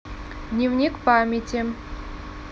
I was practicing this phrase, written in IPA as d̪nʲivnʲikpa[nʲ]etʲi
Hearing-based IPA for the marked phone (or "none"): mʲ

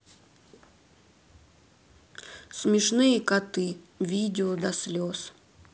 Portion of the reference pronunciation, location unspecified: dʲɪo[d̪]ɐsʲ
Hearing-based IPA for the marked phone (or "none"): d̪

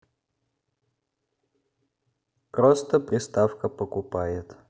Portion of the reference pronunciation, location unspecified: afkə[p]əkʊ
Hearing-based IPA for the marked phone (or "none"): p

